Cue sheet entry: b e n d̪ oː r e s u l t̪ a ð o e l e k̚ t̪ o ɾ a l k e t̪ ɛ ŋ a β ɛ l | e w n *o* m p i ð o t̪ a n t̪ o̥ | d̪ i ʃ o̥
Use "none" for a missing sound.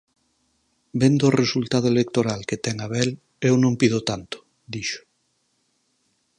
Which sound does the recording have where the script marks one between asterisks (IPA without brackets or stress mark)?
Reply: õ